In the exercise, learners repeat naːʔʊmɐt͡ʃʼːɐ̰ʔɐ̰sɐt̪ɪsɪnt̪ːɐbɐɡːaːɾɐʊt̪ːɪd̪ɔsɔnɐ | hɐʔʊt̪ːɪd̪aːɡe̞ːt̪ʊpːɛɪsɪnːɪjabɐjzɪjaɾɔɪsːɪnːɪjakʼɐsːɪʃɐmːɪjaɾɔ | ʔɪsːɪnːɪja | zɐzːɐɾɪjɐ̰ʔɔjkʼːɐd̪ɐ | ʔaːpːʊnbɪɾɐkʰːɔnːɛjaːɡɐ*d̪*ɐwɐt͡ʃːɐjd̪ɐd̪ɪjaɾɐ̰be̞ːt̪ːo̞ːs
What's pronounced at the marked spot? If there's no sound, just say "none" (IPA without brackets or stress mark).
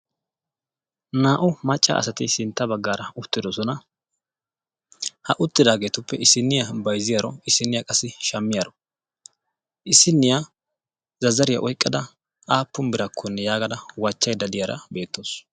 d̪